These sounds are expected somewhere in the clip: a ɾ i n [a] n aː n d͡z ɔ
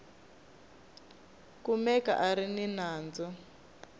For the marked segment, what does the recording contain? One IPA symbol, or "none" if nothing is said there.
i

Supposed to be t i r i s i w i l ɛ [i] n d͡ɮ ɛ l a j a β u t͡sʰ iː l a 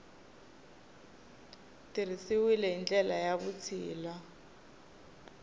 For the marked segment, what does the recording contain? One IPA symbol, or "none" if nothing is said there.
i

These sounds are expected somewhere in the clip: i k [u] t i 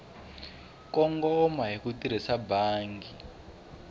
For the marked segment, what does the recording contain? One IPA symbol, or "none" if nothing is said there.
u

